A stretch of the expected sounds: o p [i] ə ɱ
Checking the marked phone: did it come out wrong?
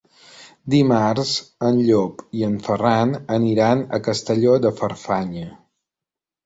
no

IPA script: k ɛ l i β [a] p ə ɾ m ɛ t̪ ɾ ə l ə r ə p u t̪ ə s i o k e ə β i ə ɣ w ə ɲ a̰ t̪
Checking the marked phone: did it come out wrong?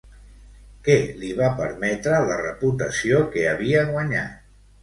no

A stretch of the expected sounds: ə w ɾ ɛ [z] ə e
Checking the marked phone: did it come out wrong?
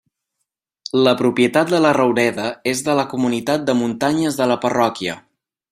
yes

